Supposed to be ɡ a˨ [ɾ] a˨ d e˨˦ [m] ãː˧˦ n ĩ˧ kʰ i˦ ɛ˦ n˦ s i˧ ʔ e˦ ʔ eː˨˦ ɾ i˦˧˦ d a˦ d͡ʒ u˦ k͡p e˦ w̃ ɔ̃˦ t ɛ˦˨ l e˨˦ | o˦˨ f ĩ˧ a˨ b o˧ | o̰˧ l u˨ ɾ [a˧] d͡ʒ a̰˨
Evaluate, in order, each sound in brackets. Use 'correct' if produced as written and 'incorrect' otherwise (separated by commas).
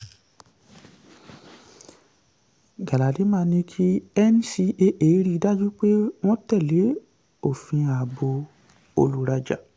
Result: incorrect, correct, correct